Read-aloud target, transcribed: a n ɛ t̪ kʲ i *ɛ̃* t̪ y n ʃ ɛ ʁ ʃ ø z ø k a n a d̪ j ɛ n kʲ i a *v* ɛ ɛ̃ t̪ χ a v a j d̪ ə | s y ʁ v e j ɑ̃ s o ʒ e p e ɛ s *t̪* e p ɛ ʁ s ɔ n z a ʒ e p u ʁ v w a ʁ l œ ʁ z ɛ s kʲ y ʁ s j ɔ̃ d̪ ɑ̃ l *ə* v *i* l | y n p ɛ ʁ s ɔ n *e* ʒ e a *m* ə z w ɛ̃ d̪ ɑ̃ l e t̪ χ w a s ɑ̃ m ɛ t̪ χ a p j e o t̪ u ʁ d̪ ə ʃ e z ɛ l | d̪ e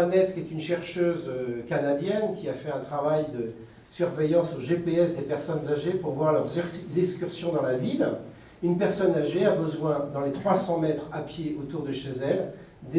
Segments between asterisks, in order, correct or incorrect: incorrect: ɛ, incorrect: f, incorrect: d̪, incorrect: a, correct, incorrect: a, incorrect: b

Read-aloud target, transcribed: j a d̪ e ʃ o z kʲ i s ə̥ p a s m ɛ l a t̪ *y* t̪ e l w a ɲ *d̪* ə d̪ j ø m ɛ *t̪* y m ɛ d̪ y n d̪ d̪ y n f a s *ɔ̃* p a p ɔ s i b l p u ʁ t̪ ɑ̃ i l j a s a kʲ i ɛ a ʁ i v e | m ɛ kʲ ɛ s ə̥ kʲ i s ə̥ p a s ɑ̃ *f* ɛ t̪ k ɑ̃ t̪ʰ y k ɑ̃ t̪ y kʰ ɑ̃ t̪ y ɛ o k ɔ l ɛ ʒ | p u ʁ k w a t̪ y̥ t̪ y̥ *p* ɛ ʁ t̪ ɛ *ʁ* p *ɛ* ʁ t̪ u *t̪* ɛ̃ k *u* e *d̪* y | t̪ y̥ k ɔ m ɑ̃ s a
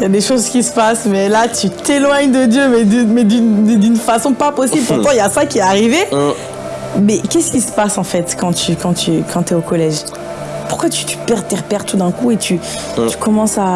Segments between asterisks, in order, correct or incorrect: correct, correct, incorrect: d̪, correct, correct, correct, correct, correct, incorrect: d̪, correct, incorrect: t̪

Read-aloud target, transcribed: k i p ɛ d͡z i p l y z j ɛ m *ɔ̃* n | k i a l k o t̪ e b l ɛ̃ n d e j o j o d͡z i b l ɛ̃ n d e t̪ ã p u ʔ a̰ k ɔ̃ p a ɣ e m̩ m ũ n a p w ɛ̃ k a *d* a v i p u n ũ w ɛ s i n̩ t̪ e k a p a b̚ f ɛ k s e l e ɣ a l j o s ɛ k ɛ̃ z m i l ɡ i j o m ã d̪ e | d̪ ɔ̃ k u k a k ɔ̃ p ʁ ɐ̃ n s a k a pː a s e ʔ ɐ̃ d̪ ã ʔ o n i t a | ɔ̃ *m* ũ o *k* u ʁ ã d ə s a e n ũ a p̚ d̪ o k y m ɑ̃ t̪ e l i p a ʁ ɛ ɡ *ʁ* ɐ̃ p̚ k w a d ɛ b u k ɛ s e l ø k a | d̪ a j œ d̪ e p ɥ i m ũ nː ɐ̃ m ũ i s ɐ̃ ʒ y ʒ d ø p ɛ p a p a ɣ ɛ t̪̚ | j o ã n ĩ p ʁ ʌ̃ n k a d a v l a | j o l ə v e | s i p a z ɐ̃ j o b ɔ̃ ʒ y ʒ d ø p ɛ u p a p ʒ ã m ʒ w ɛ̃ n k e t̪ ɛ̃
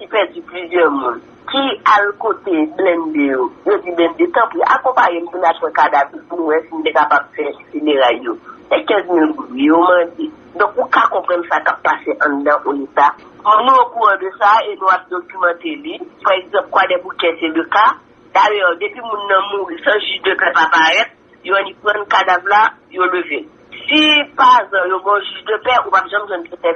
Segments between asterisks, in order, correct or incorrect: incorrect: ũ, correct, incorrect: n, correct, incorrect: z

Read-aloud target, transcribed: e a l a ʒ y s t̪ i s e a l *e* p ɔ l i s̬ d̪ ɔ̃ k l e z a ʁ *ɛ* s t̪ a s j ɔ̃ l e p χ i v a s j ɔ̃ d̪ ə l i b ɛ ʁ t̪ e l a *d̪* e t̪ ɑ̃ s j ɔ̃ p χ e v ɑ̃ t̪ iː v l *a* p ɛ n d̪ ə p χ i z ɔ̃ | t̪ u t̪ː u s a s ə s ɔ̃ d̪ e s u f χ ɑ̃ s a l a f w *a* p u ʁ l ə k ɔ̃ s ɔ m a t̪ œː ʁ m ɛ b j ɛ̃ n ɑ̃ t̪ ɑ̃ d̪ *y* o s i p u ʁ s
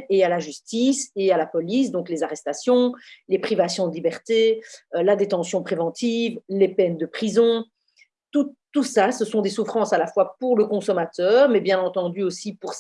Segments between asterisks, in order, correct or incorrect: incorrect: a, correct, correct, incorrect: e, correct, correct

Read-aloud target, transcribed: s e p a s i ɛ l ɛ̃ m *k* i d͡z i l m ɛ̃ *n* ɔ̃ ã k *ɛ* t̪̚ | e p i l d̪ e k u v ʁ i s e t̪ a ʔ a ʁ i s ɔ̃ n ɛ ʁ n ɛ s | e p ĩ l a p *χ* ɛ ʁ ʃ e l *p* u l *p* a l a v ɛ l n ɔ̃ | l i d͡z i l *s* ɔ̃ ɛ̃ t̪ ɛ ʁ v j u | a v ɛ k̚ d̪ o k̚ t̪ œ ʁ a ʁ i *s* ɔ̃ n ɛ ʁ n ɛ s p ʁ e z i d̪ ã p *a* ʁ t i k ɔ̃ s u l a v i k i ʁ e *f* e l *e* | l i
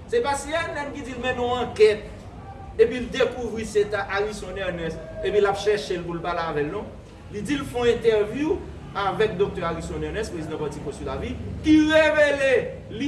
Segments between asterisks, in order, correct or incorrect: correct, correct, correct, incorrect: ʃ, correct, correct, incorrect: f, correct, correct, incorrect: v, correct

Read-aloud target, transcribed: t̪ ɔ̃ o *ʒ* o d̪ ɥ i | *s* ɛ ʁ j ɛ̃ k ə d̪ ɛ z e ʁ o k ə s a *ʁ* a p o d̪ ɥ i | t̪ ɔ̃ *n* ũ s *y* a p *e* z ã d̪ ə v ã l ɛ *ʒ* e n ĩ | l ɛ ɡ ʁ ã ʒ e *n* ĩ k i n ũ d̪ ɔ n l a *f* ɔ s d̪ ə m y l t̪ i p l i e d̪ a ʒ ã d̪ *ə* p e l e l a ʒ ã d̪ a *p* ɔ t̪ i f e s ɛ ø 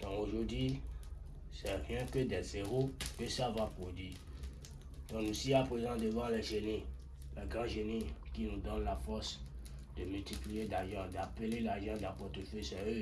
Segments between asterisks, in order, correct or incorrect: correct, correct, incorrect: v, correct, incorrect: i, correct, correct, correct, correct, incorrect: a, correct

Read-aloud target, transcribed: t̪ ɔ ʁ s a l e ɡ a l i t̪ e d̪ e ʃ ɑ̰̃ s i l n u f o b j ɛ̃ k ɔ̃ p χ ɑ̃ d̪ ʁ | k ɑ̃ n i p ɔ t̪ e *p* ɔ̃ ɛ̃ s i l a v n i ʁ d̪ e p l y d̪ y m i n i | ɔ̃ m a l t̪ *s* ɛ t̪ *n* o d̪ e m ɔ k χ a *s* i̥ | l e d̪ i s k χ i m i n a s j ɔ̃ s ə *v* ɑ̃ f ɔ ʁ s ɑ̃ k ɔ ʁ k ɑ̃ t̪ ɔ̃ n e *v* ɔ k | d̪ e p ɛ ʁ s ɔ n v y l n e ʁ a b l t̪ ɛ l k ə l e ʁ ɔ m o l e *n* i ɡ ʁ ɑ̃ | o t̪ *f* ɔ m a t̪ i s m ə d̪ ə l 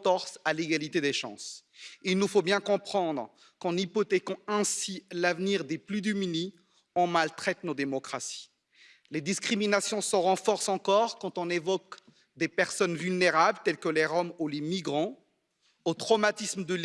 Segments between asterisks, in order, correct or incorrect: incorrect: k, incorrect: χ, correct, correct, incorrect: ʁ, correct, incorrect: m, incorrect: χ

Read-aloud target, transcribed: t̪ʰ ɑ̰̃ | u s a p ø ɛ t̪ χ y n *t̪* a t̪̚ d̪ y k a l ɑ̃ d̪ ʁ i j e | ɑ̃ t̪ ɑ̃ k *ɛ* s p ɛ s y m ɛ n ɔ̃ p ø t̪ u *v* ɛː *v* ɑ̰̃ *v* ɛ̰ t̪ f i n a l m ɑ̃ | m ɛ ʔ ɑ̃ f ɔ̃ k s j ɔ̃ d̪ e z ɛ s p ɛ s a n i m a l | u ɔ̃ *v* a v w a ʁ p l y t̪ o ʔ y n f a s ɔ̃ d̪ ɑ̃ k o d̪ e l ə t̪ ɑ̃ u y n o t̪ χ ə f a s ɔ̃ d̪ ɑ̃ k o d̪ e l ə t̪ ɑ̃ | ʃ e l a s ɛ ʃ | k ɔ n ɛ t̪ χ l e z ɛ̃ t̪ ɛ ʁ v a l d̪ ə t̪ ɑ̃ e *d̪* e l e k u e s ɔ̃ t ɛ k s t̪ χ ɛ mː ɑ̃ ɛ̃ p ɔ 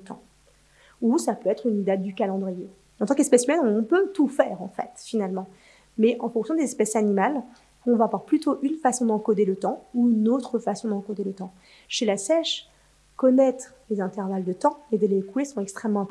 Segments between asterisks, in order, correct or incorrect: incorrect: d̪, correct, incorrect: f, incorrect: ʁ, incorrect: f, correct, correct

